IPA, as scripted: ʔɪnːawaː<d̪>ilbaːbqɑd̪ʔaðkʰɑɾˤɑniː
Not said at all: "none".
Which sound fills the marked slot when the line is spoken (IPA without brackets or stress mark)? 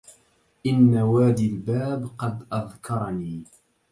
d̪